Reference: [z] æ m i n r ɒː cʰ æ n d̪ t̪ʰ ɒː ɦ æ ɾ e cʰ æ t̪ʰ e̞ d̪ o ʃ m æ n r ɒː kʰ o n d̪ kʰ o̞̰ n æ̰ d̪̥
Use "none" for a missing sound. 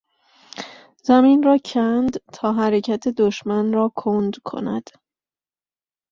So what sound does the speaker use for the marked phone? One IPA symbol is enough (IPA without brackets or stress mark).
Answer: z